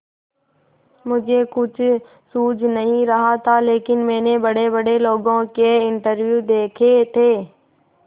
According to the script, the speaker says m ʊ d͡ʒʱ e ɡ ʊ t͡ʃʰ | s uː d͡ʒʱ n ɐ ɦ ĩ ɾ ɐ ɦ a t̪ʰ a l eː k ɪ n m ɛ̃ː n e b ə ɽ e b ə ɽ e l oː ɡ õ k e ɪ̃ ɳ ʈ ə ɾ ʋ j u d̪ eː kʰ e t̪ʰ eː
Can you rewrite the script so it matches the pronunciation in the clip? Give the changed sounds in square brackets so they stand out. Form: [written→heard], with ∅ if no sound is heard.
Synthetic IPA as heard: m ʊ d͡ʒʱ e [ɡ→k] ʊ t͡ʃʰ | s uː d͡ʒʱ n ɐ ɦ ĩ ɾ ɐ ɦ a t̪ʰ a l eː k ɪ n m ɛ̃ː n e b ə ɽ e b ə ɽ e l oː ɡ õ k e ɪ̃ ɳ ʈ ə ɾ ʋ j u d̪ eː kʰ e t̪ʰ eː